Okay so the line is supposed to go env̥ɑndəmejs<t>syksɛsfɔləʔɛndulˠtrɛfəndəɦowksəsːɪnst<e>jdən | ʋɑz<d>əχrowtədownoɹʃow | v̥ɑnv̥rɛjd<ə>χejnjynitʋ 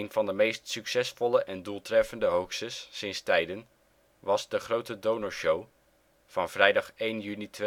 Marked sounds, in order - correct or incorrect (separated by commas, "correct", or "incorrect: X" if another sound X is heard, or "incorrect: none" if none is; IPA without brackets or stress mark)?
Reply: correct, incorrect: ɛ, correct, incorrect: ɑ